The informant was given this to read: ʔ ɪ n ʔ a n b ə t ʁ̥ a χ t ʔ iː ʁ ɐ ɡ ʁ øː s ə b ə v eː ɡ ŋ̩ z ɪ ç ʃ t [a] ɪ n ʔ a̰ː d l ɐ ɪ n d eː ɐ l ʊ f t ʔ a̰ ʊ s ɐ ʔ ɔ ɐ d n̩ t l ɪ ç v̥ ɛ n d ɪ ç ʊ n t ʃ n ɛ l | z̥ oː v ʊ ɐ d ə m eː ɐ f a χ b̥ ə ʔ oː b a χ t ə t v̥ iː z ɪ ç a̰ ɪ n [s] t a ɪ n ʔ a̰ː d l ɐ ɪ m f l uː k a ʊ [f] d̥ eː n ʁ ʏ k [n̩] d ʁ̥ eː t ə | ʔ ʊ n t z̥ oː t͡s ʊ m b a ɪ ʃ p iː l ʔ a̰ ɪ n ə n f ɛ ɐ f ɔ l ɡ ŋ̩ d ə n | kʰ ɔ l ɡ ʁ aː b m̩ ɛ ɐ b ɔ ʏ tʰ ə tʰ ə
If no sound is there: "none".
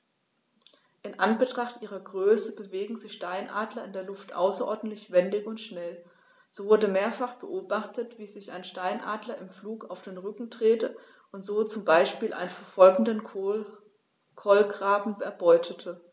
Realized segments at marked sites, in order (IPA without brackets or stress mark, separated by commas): a, ʃ, f, ŋ̩